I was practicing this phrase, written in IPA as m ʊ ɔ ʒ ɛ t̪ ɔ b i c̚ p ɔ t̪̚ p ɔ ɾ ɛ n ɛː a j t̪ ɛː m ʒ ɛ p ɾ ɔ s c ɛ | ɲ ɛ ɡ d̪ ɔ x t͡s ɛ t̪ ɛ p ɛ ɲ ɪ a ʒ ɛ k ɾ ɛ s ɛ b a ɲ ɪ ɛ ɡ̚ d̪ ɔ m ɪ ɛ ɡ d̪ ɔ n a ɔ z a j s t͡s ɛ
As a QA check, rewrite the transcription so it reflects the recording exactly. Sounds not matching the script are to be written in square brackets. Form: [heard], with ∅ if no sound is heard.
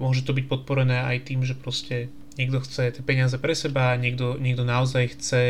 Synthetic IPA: m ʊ ɔ ʒ ɛ t̪ ɔ b i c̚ p ɔ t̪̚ p ɔ ɾ ɛ n ɛː a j t̪ [iː] m ʒ ɛ p ɾ ɔ s c ɛ | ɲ ɛ ɡ d̪ ɔ x t͡s ɛ t̪ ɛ p ɛ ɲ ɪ a [z] ɛ [p] ɾ ɛ s ɛ b a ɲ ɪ ɛ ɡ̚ d̪ ɔ [ɲ] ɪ ɛ ɡ d̪ ɔ n a ɔ z a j [x] t͡s ɛ